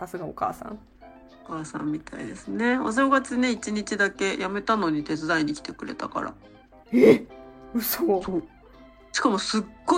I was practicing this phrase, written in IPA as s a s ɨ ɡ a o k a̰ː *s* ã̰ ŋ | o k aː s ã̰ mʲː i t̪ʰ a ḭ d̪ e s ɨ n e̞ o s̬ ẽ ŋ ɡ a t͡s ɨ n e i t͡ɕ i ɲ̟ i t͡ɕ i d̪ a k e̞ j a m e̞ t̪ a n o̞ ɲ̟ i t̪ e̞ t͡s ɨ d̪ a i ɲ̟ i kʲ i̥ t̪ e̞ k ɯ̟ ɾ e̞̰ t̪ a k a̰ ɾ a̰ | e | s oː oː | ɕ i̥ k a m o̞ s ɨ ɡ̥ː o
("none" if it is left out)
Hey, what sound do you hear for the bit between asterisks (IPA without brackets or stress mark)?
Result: s